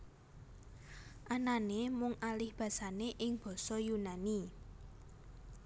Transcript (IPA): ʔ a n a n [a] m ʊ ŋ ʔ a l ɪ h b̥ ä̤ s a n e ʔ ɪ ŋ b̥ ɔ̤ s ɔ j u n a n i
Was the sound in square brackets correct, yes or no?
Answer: no